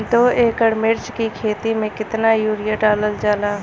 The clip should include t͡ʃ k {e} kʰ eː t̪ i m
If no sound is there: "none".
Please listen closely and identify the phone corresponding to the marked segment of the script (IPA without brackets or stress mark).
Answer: i